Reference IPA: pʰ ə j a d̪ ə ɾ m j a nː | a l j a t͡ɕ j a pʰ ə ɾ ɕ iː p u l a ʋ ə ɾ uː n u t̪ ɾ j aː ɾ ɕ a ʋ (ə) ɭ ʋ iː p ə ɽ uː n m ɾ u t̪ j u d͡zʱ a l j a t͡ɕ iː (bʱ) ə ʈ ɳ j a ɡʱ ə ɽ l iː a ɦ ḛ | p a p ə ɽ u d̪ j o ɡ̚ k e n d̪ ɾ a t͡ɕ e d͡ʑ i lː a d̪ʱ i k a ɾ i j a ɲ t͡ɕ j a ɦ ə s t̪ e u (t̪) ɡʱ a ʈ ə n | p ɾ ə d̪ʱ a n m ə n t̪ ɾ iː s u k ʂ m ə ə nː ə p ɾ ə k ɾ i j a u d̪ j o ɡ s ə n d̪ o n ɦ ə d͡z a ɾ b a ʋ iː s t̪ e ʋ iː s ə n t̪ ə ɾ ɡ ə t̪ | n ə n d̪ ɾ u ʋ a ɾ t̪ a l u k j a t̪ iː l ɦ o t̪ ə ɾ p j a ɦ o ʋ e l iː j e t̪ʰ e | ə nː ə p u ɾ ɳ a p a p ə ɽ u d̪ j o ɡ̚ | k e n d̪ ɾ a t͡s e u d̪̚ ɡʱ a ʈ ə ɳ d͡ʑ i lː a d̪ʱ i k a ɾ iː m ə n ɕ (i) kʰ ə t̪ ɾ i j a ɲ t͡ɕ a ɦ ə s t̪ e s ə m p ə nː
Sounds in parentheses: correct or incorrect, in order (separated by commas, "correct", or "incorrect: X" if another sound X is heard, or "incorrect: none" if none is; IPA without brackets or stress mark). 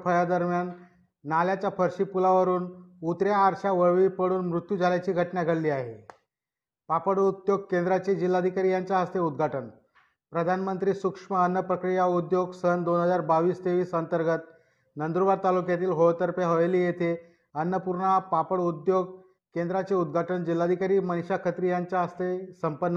correct, incorrect: ɡʱ, incorrect: d̪, incorrect: a